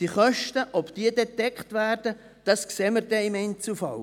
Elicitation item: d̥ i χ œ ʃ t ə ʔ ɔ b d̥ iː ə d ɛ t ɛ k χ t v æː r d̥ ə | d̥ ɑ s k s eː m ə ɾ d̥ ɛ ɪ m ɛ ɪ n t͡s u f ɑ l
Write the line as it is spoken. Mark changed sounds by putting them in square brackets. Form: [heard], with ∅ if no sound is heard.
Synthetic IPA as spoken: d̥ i χ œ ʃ t ə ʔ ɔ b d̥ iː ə d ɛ t ɛ k χ t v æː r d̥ ə | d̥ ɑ s k s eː m ə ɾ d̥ ɛ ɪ m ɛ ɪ n t͡s u f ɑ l